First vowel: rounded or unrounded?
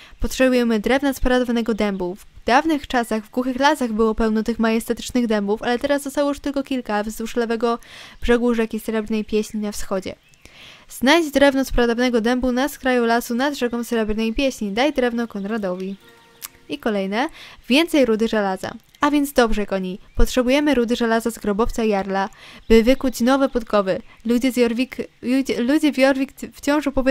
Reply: rounded